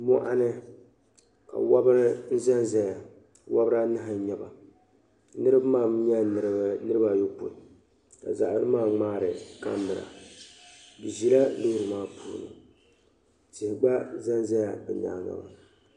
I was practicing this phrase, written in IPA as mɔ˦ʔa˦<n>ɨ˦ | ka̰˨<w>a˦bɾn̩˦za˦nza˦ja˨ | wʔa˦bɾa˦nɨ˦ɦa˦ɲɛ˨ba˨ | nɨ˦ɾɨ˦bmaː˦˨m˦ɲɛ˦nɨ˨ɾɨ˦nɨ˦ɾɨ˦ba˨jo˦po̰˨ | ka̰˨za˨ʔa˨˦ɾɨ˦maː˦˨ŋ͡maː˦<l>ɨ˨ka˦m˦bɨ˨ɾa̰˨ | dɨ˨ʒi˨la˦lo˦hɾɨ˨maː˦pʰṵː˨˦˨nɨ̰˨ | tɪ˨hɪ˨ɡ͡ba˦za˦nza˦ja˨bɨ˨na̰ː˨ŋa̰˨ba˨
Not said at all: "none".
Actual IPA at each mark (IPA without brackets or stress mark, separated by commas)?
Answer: n, w, ɾ